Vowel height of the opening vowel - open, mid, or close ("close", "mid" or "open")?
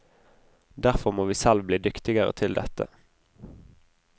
open